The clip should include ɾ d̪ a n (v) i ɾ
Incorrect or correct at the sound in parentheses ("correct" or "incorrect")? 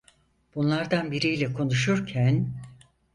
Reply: incorrect